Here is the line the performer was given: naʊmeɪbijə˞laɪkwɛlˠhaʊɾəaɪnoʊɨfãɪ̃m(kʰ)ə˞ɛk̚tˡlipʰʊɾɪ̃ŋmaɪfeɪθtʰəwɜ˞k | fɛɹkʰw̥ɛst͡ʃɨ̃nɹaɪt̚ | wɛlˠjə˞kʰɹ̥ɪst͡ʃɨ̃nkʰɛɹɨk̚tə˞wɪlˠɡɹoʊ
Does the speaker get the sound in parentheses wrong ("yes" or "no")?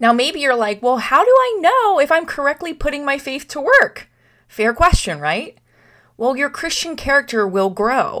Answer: no